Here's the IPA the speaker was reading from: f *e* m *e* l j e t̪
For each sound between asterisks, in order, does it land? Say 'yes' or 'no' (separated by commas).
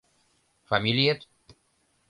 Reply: no, no